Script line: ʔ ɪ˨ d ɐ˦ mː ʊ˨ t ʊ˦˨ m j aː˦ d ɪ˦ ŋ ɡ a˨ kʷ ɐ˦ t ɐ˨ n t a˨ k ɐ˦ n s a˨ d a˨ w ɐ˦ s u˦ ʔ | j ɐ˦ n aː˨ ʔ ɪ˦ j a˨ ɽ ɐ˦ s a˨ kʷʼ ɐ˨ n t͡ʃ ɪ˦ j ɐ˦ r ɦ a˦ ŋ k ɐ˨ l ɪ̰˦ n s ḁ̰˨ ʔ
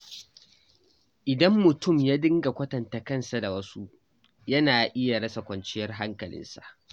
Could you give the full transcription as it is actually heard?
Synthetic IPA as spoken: ʔ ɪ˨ d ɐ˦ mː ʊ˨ t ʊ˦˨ m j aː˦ d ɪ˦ ŋ ɡ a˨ kʷ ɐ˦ t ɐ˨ n t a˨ k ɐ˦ n s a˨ d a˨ w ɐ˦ s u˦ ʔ | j ɐ˦ n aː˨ ʔ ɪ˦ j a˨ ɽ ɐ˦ s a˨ kʷ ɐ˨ n t͡ʃ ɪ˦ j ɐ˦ r ɦ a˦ ŋ k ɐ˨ l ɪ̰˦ n s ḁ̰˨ ʔ

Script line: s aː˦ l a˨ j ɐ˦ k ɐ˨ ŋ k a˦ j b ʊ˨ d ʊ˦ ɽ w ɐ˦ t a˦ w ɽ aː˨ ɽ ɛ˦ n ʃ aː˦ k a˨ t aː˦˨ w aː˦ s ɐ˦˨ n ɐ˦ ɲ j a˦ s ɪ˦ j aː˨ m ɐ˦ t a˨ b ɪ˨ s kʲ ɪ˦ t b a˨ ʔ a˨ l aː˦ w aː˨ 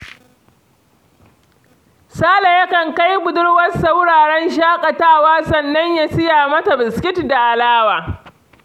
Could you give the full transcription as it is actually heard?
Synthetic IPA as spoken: s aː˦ l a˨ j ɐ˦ k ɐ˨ ŋ k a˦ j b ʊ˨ d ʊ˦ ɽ w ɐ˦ s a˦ w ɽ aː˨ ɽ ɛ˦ n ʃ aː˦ kʼ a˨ t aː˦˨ w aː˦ s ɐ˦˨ nː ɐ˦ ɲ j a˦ s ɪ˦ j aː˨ m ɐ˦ t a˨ b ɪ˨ s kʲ ɪ˦ t d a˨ ʔ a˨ l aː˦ w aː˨

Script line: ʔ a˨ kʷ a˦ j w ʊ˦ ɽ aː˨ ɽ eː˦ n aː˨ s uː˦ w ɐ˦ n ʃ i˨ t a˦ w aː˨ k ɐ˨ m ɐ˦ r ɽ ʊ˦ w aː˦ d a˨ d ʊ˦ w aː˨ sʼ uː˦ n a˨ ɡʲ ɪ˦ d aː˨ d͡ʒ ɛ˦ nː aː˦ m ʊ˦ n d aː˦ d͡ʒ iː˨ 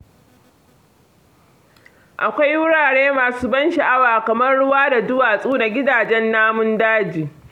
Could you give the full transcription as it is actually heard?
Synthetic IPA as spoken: ʔ a˨ kʷ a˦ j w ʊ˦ ɽ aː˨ ɽ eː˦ m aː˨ s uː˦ b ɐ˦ n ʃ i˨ ʔ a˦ w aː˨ k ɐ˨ m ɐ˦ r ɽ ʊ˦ w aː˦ d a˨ d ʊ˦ w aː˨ sʼ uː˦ n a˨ ɡʲ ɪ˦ d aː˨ d͡ʒ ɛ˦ nː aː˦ m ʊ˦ n d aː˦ d͡ʒ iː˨

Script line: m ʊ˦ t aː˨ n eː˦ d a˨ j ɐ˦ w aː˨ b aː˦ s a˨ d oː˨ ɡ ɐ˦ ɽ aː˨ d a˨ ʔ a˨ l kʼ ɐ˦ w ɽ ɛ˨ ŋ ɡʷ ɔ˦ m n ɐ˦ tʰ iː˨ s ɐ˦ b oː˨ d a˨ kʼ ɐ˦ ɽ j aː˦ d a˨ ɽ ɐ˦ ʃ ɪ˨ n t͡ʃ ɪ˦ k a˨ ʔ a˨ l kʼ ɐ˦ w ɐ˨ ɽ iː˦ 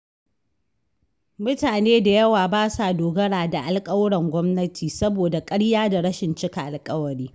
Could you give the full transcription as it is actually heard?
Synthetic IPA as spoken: m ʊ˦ t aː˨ n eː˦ d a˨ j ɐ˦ w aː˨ b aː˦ s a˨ d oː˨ ɡ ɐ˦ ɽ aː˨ d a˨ ʔ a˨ l kʼ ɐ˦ w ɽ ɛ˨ ŋ ɡʷ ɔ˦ m n ɐ˦ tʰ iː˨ s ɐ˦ b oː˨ d a˨ kʼ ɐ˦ ɽ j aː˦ d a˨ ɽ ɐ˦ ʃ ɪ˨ n t͡ʃ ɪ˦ k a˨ ʔ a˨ l kʼ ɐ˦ w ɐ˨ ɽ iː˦

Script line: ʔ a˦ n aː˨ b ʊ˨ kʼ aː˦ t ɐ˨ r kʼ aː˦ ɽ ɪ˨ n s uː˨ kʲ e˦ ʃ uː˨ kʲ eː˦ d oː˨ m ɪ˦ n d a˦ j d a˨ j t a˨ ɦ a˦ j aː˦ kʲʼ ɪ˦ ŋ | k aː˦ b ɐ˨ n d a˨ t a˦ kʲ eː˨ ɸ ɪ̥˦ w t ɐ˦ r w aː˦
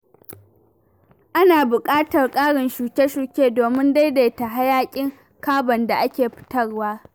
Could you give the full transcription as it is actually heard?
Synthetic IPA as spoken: ʔ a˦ n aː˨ b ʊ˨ kʼ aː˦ t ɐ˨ r kʼ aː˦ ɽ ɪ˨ n ʃ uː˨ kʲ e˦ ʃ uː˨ kʲ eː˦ d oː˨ m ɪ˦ n d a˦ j d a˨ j t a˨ ɦ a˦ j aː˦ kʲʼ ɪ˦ ŋ | k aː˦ b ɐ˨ n d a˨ ʔ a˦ kʲ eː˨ ɸ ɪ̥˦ t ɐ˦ r w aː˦

